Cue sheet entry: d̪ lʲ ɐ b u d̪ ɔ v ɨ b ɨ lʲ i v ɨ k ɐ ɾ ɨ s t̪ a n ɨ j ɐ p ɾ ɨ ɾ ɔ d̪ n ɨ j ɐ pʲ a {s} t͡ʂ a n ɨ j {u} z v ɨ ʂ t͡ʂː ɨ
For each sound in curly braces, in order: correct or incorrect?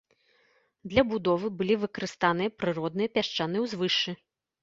incorrect, incorrect

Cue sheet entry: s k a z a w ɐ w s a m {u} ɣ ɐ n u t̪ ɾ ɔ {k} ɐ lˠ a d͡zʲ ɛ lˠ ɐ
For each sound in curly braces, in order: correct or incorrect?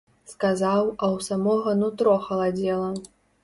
incorrect, incorrect

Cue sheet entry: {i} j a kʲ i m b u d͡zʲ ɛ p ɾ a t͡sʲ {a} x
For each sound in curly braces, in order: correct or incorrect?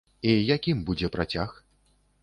correct, correct

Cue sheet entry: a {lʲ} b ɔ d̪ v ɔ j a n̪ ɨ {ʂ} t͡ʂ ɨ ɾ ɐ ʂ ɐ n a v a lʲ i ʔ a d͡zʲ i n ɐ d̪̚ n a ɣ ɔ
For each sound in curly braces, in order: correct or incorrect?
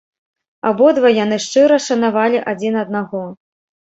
incorrect, correct

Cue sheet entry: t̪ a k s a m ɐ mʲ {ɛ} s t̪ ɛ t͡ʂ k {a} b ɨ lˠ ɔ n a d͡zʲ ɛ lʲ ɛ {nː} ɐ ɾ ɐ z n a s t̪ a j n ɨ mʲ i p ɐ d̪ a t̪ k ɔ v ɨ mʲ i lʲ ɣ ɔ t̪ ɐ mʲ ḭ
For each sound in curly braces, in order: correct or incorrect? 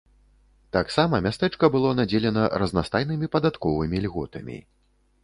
incorrect, incorrect, incorrect

